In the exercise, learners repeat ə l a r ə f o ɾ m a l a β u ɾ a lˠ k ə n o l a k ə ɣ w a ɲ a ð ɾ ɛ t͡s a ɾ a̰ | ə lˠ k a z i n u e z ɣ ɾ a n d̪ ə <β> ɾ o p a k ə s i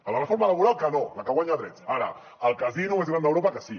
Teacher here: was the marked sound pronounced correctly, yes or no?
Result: no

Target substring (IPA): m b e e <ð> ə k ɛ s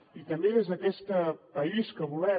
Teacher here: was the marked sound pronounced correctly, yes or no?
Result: no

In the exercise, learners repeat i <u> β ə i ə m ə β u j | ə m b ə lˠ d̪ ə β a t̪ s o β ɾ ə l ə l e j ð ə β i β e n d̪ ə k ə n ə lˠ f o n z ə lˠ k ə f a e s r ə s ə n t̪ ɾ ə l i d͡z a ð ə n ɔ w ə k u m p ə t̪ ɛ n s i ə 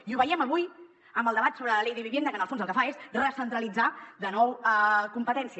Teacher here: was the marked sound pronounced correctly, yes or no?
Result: yes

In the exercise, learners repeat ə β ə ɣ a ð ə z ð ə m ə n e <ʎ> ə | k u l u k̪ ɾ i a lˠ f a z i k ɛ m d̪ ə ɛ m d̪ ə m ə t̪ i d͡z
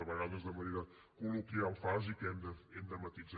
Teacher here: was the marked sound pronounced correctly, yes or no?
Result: no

